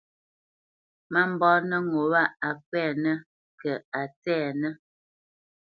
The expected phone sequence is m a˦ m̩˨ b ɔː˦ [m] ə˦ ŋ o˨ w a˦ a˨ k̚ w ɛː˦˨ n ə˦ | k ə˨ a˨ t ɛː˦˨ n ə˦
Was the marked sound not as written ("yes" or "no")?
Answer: yes